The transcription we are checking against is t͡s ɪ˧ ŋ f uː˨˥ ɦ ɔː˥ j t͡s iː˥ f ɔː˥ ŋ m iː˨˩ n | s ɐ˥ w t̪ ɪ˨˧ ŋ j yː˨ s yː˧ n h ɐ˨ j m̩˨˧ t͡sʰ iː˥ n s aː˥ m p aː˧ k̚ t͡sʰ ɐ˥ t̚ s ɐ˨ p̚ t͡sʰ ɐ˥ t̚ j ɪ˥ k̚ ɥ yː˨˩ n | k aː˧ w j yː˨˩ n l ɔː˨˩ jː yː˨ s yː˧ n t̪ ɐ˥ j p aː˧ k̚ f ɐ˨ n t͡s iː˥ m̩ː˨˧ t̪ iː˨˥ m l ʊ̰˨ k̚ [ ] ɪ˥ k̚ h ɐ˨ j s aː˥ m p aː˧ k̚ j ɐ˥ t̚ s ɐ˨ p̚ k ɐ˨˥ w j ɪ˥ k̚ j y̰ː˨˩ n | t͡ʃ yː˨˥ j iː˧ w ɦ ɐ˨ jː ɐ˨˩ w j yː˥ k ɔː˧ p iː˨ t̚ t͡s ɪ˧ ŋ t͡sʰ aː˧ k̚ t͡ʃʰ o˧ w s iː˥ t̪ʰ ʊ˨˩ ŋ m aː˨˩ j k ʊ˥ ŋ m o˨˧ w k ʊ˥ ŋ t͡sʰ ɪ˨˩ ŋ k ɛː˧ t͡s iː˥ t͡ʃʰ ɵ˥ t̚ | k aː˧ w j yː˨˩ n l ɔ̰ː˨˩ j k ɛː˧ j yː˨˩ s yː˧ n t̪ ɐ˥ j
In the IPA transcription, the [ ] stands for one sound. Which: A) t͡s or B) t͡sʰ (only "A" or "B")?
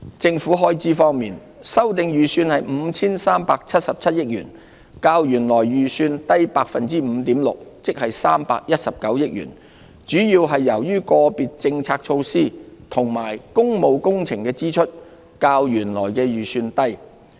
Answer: A